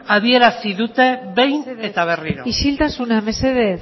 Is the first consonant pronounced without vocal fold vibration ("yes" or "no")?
no